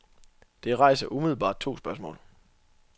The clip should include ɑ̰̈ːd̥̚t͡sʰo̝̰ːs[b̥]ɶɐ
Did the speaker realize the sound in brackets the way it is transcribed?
yes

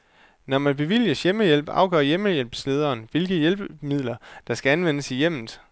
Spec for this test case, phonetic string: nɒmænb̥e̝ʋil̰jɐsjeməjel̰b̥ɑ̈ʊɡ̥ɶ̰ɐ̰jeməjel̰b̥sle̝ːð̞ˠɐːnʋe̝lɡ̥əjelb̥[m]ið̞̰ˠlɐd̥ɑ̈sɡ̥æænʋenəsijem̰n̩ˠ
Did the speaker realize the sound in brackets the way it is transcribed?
yes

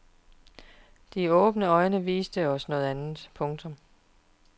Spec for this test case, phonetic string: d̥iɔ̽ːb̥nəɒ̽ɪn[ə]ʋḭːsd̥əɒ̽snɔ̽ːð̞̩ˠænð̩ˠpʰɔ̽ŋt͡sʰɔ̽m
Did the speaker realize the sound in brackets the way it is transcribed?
yes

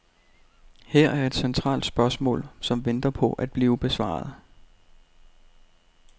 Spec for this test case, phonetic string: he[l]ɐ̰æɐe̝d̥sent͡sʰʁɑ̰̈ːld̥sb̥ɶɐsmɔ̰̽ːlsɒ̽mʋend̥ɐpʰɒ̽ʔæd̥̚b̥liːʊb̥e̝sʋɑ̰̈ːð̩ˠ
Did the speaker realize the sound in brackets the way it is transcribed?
no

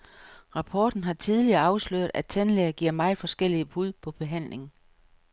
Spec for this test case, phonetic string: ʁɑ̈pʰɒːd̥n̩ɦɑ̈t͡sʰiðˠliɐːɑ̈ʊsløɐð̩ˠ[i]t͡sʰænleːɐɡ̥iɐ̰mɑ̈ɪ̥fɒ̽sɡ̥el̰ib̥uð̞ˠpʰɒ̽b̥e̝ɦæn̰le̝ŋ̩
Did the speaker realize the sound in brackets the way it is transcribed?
no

